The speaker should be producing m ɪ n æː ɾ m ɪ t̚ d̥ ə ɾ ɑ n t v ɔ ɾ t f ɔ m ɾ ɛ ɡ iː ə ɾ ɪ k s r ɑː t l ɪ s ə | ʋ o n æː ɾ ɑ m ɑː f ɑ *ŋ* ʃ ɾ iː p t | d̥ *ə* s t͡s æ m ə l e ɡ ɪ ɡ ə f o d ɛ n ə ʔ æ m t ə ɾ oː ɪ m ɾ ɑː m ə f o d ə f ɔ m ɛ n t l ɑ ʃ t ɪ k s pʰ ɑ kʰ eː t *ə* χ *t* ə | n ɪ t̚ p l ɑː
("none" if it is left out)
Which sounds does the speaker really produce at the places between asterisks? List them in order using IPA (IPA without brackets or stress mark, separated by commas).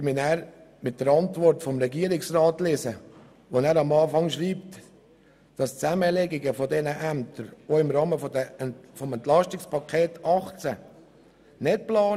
ŋ, ɑ, ɑ, t͡s